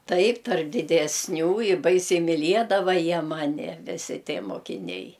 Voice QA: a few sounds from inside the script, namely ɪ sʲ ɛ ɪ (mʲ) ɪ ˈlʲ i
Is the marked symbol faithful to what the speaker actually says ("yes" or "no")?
yes